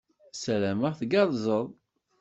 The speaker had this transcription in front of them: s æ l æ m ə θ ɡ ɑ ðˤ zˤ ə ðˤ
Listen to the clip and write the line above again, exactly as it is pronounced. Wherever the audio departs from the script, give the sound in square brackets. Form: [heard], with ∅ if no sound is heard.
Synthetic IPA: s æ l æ m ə θ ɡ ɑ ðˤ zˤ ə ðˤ